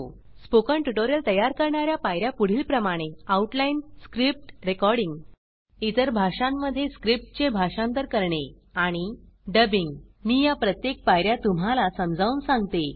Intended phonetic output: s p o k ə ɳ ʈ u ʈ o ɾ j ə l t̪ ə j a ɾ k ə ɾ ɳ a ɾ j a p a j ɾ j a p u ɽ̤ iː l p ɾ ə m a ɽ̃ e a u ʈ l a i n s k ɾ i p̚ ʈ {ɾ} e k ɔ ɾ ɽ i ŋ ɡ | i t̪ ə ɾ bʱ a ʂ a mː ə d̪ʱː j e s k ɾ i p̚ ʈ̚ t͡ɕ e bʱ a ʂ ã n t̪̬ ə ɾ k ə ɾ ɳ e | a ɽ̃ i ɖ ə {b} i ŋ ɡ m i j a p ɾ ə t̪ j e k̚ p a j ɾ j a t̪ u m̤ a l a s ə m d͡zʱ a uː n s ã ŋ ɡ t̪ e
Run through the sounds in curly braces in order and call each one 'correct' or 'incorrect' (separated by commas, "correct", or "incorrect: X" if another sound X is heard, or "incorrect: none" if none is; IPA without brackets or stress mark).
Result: correct, correct